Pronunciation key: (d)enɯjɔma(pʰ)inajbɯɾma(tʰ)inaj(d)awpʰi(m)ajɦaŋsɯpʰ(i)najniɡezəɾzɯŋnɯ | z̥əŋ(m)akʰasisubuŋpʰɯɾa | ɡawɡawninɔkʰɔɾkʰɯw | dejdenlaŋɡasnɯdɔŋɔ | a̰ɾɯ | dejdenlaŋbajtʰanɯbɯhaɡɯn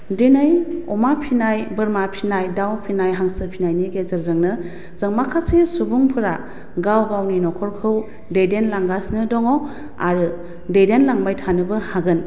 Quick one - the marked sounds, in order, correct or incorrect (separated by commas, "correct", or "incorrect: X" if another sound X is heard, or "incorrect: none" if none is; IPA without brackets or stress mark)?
correct, correct, incorrect: pʰ, correct, incorrect: n, correct, correct